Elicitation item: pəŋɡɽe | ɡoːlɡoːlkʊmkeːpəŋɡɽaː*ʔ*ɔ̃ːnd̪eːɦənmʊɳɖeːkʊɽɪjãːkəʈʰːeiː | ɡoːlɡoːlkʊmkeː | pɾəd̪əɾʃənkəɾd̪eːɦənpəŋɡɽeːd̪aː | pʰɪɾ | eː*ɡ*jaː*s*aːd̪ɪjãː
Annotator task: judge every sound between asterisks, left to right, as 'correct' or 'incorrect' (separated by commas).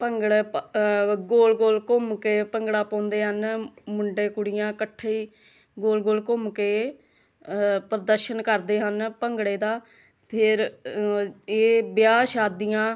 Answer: incorrect, incorrect, incorrect